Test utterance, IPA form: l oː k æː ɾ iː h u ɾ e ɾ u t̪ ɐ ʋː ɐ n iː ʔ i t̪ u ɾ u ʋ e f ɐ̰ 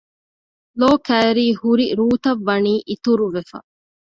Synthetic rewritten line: l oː k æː ɾ iː h u ɾ i ɾ uː t̪ ɐ ʋː ɐ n iː ʔ i t̪ u ɾ u ʋ e f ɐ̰